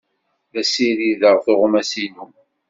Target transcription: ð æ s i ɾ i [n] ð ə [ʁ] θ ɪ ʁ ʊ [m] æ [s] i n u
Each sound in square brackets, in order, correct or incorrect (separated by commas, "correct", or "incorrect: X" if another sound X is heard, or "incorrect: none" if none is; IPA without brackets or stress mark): incorrect: none, correct, correct, correct